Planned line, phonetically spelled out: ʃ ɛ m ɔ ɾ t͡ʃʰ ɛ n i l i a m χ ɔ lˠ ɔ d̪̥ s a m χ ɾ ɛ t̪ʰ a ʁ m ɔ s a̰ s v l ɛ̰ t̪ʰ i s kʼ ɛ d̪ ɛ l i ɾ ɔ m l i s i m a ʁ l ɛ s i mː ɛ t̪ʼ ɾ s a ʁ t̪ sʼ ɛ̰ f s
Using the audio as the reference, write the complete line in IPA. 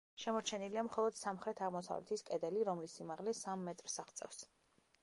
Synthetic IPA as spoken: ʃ ɛ m ɔ ɾ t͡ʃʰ ɛ n i l i a m χ ɔ lˠ ɔ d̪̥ s a m χ ɾ ɛ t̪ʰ a ʁ m ɔ s a̰ v l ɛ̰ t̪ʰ i s kʼ ɛ d̪ ɛ l i ɾ ɔ m l i s i m a ʁ l ɛ s a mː ɛ t̪ʼ ɾ s a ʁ t̪ sʼ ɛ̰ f s